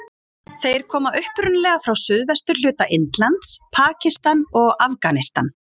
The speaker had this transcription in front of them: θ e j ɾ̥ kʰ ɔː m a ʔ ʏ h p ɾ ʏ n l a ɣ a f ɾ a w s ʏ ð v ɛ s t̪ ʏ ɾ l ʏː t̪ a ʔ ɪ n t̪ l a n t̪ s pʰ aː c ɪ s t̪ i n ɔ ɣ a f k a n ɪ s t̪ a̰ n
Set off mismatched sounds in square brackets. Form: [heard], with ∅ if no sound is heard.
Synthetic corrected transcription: θ e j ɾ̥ kʰ ɔː m a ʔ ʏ h p ɾ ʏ n l [ɛ] ɣ a f ɾ a w s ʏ ð v ɛ s t̪ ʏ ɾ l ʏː t̪ a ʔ ɪ n t̪ l a n t̪ s pʰ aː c ɪ s t̪ [a] n ɔ ɣ a f k a n ɪ s t̪ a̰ n